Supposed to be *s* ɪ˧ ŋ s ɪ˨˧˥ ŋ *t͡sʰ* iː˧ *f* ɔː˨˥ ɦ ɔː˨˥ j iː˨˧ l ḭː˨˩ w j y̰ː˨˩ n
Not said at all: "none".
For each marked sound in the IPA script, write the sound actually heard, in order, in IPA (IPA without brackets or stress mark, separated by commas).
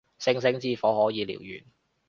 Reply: s, t͡s, f